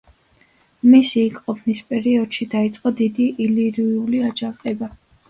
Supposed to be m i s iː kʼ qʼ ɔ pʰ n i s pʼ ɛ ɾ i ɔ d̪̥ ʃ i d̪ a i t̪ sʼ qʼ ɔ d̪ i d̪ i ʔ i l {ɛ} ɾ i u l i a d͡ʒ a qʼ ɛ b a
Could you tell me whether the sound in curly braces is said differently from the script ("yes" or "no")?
yes